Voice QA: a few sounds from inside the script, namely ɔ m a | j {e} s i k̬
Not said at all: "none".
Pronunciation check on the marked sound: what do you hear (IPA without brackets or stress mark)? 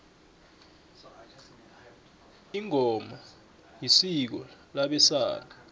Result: i